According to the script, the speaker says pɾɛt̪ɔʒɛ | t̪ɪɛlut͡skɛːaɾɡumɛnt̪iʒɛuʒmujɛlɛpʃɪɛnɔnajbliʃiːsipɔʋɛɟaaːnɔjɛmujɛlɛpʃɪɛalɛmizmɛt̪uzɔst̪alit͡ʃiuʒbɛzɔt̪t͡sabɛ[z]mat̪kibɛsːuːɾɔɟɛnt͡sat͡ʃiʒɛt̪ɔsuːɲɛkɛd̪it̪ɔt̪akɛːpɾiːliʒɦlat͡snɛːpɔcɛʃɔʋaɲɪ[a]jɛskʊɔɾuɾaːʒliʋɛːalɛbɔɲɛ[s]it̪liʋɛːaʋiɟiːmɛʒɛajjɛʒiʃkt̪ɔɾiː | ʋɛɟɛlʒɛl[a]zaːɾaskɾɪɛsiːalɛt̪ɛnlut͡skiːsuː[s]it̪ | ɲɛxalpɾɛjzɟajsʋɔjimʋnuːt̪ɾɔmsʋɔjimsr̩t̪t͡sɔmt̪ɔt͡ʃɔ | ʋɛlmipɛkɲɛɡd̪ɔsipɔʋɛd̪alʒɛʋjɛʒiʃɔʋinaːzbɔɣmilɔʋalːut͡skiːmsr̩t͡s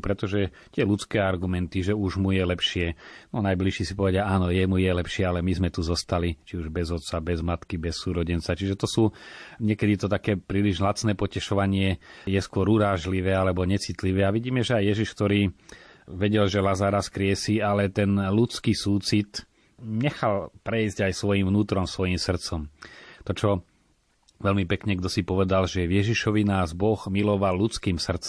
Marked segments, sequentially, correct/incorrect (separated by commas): correct, incorrect, incorrect, correct, incorrect